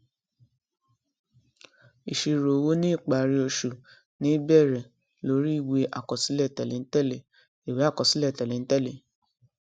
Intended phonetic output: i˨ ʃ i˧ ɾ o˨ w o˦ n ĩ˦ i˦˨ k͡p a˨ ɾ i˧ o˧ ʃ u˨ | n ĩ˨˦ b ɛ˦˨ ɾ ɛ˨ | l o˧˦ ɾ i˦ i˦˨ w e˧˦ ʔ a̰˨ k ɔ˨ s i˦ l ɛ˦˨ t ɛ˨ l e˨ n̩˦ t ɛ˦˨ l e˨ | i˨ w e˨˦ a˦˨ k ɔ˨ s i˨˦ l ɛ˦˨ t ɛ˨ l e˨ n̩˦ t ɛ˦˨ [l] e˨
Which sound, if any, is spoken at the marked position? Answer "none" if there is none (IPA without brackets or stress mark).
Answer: l